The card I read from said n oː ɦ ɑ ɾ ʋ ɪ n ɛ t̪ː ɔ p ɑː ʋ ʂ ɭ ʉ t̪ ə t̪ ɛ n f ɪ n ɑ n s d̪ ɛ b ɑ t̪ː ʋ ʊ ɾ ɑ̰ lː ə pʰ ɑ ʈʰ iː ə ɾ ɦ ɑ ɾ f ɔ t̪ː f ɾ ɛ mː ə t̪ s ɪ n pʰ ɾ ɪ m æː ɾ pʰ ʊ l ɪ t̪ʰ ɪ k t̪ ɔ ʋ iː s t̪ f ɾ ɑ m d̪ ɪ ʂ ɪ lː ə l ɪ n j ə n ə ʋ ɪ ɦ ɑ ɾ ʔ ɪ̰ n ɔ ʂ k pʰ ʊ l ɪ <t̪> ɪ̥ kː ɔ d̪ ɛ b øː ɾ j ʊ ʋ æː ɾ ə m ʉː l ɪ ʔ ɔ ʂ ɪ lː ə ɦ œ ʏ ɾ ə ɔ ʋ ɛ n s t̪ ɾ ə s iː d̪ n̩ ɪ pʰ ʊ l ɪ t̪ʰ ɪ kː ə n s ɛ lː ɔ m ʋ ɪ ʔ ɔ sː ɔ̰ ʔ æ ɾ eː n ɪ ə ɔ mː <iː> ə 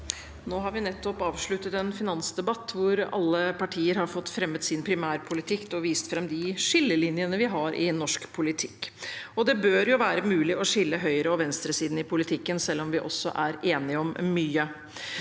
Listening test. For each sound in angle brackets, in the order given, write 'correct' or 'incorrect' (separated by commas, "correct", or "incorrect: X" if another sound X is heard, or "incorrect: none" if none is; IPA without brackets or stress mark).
incorrect: t̪ʰ, incorrect: yː